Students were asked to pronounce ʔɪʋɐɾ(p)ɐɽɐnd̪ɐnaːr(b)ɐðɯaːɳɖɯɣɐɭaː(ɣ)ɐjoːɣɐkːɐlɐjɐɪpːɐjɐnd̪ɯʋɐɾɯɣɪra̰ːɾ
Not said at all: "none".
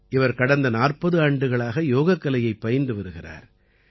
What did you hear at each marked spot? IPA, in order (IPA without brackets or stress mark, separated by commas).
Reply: k, p, ɣ